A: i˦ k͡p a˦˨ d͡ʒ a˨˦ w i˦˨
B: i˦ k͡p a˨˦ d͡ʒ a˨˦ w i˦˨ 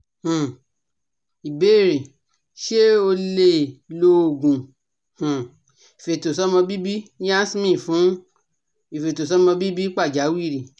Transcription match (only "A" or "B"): A